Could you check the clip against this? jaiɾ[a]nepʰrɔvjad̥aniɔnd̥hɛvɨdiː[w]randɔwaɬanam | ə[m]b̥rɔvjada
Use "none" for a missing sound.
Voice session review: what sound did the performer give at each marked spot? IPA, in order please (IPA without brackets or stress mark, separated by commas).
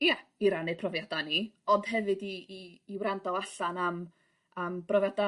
a, w, m